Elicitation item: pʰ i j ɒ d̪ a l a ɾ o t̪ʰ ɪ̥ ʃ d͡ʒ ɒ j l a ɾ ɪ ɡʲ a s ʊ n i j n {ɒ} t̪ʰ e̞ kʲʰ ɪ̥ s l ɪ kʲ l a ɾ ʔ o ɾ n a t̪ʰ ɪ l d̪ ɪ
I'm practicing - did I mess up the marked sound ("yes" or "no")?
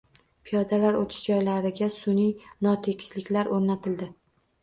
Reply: no